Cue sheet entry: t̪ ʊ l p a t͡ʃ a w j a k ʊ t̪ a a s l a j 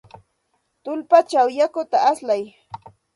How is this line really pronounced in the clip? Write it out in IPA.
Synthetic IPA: t̪ ʊ l p a t͡ʃ a w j a k ʊ t̪ a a s l a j